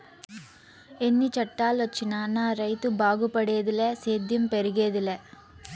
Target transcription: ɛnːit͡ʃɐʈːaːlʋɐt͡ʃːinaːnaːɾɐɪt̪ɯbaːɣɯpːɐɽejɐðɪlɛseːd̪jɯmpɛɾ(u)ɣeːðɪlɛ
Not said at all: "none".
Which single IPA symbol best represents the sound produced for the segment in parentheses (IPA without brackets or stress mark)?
ɯ